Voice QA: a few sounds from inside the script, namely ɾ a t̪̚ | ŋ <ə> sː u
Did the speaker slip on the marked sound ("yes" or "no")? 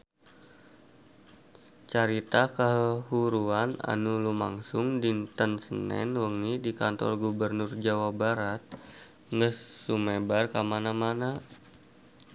no